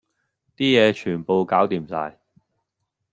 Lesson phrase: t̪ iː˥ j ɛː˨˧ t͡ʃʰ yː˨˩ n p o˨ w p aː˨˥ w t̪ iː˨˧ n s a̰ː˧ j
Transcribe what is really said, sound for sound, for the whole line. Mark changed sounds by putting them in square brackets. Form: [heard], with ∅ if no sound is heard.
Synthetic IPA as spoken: t̪ iː˥ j ɛː˨˧ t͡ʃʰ yː˨˩ n p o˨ w [k] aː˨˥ w t̪ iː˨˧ [m] s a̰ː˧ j